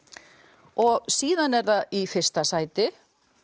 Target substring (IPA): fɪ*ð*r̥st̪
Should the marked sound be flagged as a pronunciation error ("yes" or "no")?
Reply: yes